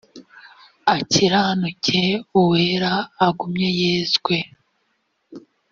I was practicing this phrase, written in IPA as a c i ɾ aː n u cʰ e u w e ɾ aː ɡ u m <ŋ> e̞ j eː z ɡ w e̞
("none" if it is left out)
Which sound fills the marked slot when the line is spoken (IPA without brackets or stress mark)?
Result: ɲ